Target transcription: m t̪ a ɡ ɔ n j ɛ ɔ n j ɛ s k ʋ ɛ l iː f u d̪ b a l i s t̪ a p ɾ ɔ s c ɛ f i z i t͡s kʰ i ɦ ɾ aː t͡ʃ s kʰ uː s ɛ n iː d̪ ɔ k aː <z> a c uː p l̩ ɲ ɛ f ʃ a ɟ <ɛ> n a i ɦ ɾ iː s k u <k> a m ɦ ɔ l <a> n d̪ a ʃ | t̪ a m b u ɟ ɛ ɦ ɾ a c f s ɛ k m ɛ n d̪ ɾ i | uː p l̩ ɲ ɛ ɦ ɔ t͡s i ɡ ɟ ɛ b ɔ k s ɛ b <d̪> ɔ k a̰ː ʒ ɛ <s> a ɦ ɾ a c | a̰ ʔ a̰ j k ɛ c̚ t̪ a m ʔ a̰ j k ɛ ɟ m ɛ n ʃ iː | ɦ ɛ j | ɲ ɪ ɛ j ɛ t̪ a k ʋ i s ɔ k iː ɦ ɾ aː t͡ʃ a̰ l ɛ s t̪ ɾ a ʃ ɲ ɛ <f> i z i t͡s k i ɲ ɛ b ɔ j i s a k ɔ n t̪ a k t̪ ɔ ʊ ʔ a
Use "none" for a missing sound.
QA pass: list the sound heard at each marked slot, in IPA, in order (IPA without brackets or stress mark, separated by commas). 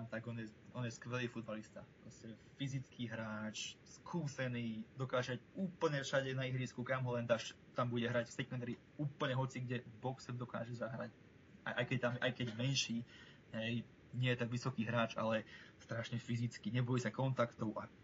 ʒ, ɛ, k, ɛ, d̪, z, f